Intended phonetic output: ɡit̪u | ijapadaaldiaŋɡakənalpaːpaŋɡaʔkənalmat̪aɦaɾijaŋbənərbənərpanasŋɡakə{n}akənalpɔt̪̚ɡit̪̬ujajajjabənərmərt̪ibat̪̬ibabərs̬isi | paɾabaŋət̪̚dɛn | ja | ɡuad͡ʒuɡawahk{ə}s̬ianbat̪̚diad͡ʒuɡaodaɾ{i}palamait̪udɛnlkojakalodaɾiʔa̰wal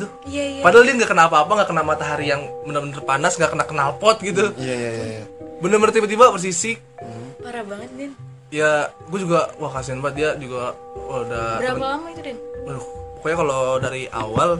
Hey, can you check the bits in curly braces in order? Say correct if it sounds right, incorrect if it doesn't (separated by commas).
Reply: correct, incorrect, incorrect